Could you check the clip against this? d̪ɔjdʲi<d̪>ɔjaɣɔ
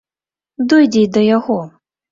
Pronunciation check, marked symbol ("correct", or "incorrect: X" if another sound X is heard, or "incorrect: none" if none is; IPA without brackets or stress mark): correct